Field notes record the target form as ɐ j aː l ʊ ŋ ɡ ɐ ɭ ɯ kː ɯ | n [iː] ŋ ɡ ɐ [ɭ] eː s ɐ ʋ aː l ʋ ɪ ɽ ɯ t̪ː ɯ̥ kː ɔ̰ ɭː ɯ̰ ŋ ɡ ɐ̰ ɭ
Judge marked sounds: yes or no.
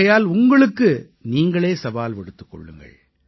yes, yes

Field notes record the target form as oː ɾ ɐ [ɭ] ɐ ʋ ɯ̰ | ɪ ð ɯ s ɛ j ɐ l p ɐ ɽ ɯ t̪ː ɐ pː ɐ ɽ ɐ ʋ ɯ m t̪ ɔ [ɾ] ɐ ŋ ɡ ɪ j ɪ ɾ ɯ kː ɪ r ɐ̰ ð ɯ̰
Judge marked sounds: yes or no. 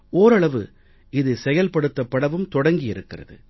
yes, no

